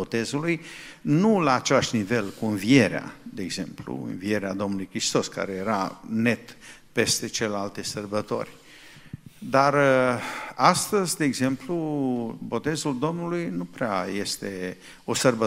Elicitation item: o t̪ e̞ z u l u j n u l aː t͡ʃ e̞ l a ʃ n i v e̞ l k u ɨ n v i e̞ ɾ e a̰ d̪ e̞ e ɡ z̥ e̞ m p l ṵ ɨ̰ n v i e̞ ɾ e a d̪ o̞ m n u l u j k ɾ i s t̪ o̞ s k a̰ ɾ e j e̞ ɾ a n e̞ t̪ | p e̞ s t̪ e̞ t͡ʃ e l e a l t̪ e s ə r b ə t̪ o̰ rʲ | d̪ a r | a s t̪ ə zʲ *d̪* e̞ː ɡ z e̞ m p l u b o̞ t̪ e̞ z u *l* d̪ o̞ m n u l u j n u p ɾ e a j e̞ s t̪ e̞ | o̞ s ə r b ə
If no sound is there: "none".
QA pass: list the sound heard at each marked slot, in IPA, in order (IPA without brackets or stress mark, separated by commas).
d̪, l